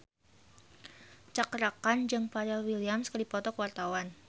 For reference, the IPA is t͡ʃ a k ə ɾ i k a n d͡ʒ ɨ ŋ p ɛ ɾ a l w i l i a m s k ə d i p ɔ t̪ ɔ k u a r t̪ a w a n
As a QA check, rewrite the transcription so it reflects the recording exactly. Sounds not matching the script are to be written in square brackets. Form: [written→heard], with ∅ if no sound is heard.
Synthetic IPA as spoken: t͡ʃ a k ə ɾ [i→a] k a n d͡ʒ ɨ ŋ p [ɛ→a] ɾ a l w i l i a m s k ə d i p ɔ t̪ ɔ k [u→w] a r t̪ a w a n